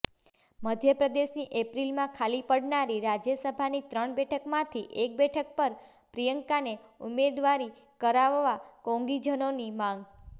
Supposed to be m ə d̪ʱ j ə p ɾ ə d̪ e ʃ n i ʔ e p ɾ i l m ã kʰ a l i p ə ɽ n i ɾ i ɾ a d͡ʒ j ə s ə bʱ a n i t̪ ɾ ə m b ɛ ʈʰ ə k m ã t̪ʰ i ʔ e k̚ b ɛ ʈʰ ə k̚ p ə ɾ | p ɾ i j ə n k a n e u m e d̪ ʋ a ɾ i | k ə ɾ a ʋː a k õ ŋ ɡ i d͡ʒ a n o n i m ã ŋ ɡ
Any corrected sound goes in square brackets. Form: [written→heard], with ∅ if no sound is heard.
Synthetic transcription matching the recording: m ə d̪ʱ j ə p ɾ ə d̪ e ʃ n i ʔ e p ɾ i l m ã kʰ a l i p ə ɽ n [i→a] ɾ i ɾ a d͡ʒ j ə s ə bʱ a n i t̪ ɾ ə [m→ɳ] b ɛ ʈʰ ə k m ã t̪ʰ i ʔ e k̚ b ɛ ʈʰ ə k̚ p ə ɾ | p ɾ i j ə [n→ŋ] k a n e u m e d̪ ʋ a ɾ i | k ə ɾ a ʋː a k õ ŋ ɡ i d͡ʒ [a→ə] n o n i m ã ŋ ɡ